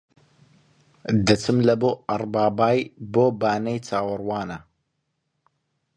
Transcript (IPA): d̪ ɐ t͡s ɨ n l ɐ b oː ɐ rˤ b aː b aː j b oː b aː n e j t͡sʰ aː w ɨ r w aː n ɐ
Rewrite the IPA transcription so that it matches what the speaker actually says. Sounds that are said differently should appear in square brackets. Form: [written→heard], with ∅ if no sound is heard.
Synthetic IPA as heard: d̪ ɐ t͡s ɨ [n→m] l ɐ b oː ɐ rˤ b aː b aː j b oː b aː n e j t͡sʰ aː w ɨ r w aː n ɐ